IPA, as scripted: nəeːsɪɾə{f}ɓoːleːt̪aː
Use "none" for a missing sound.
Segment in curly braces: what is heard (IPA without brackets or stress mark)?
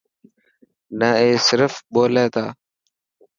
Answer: f